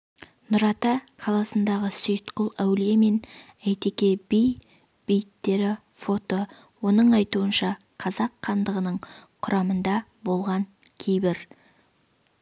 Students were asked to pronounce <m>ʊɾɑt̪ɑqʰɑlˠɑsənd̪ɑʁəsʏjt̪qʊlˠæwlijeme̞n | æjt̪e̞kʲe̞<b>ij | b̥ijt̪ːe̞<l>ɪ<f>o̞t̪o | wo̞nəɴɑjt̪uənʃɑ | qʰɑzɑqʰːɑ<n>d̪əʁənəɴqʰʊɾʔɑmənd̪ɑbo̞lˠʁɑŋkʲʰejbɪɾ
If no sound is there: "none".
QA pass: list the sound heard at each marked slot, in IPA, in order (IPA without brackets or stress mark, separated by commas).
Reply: n, b, ɾ, f, n